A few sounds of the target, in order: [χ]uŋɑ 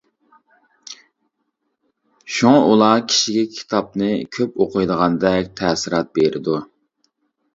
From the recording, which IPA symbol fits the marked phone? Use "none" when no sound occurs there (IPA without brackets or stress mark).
ʃ